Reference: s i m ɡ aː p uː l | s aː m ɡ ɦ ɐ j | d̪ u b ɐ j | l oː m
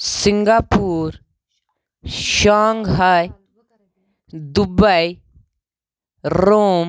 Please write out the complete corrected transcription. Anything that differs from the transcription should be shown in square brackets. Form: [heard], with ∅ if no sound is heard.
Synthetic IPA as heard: s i [ŋ] ɡ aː p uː [ɾ] | [ʃ] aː [ŋ] ɡ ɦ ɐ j | d̪ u b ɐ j | [ɾ] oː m